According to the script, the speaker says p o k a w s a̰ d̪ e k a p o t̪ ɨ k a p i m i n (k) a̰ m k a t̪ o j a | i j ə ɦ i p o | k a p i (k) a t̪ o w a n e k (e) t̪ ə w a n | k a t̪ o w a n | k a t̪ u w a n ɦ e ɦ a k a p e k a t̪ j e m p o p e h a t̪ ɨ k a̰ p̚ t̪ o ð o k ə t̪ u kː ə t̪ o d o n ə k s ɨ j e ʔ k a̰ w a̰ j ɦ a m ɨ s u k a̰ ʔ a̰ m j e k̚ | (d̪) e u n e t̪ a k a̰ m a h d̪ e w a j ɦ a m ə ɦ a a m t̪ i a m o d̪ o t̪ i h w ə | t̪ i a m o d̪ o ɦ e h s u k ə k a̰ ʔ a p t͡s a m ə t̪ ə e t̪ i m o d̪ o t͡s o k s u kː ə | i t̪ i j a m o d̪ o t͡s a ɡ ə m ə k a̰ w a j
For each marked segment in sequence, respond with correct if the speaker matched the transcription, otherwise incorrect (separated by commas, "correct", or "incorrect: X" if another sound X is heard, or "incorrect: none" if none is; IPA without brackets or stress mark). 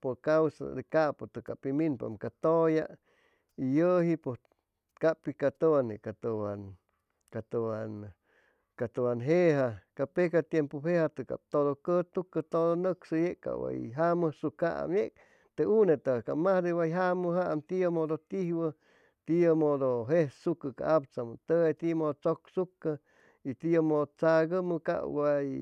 incorrect: p, correct, incorrect: a, incorrect: t̪